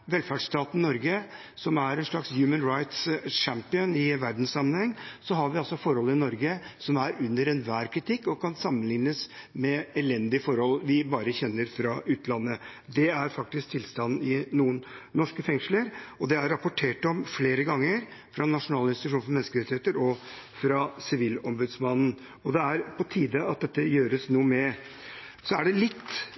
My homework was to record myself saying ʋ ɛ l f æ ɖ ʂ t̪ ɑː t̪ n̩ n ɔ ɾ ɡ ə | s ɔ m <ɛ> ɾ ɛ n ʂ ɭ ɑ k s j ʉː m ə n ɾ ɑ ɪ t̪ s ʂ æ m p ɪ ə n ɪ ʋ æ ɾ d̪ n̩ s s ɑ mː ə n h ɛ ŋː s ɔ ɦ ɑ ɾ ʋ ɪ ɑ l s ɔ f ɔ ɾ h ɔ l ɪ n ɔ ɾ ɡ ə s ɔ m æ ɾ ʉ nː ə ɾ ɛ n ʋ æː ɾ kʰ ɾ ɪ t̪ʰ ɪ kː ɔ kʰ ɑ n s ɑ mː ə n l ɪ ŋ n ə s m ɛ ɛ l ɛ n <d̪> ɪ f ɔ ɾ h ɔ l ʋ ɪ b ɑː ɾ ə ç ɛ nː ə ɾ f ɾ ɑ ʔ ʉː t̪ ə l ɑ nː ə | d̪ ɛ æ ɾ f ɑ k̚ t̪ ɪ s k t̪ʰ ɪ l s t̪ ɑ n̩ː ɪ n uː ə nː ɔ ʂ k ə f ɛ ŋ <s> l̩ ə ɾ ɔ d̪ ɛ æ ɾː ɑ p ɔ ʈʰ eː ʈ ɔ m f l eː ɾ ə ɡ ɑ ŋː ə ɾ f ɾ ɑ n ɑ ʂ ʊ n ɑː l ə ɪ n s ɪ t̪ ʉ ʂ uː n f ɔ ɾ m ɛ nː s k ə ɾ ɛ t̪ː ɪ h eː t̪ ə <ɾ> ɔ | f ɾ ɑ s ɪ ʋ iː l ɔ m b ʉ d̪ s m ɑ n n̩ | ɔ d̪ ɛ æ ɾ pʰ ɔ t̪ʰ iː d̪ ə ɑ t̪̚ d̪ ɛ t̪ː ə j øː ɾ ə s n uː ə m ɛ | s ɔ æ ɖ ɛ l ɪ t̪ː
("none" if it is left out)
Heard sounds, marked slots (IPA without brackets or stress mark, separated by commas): æ, d̪, ʂ, ɾ